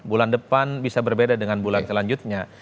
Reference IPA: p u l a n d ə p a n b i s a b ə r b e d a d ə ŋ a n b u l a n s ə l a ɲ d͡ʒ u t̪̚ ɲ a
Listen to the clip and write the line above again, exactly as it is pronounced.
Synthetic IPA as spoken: b u l a n d ə p a n b i s a b ə r b e d a d ə ŋ a n b u l a n s ə l a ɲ d͡ʒ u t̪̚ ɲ a